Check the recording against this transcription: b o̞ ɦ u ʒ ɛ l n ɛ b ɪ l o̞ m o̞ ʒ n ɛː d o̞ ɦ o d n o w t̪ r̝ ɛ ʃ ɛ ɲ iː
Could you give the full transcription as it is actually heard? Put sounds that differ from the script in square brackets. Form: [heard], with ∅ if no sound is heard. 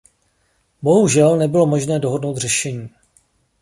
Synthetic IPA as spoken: b o̞ ɦ u ʒ ɛ l n ɛ b ɪ l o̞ m o̞ ʒ n ɛː d o̞ ɦ o d n o w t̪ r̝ ɛ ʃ ɛ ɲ iː